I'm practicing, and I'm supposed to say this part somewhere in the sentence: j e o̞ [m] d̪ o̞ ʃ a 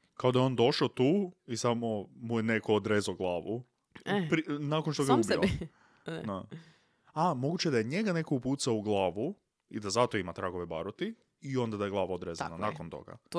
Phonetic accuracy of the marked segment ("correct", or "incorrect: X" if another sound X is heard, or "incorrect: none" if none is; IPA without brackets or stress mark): incorrect: n